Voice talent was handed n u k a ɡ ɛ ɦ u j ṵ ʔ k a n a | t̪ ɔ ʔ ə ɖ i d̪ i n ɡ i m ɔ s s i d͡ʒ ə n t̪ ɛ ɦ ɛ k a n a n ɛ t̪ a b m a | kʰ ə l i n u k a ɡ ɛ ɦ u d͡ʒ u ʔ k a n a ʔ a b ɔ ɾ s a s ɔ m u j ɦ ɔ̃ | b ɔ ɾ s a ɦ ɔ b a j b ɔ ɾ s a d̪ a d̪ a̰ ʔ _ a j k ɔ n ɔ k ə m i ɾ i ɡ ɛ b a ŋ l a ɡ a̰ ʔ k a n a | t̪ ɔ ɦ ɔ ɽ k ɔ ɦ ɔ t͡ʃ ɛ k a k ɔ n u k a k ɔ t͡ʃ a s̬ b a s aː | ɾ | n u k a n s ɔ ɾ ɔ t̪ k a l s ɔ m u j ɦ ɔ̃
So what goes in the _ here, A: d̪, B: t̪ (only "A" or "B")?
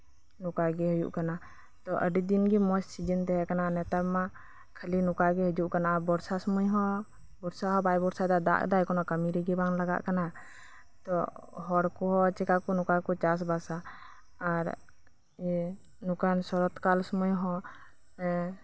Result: A